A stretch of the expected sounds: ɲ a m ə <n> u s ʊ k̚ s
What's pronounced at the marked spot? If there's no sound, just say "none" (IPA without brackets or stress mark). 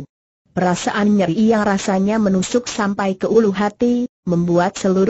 n